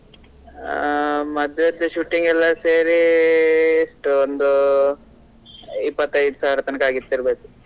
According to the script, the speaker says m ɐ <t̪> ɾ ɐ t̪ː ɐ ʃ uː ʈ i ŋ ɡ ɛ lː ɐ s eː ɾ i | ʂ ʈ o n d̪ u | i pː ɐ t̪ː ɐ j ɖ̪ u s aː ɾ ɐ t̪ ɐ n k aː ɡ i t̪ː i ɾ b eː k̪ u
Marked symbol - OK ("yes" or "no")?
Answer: no